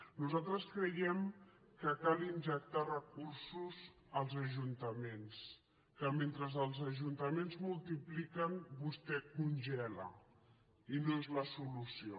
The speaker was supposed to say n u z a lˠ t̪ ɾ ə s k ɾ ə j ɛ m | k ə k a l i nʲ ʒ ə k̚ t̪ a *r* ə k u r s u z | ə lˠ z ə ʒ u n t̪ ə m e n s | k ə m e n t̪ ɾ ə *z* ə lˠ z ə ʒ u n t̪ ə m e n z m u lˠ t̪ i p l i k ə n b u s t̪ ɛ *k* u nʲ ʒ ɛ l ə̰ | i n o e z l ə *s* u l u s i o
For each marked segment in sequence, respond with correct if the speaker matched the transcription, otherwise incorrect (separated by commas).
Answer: correct, correct, correct, correct